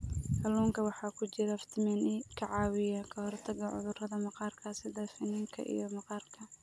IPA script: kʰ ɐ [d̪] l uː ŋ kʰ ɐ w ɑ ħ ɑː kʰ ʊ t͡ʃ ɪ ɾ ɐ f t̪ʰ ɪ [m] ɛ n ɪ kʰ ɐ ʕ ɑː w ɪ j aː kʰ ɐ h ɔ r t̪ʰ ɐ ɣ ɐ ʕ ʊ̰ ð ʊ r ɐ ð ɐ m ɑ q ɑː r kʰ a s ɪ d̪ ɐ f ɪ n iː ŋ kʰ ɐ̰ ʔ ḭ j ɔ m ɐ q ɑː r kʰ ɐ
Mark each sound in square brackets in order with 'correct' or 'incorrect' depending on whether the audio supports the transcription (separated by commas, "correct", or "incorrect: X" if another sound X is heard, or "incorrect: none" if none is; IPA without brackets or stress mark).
incorrect: none, correct